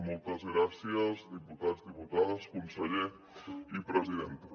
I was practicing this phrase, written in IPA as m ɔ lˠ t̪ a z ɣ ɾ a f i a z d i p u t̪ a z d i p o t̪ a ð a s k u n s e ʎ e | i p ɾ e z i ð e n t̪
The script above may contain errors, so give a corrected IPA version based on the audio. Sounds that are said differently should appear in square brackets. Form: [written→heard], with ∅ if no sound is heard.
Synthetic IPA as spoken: m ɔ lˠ t̪ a z ɣ ɾ a [f→s] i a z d i p u t̪ a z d i p [o→u] t̪ a ð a s k u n s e ʎ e | i p ɾ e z i ð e n t̪